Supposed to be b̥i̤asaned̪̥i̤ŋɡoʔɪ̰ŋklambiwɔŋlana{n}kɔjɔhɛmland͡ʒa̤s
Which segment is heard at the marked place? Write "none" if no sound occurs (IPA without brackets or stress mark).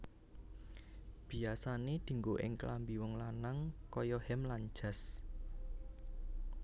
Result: ŋ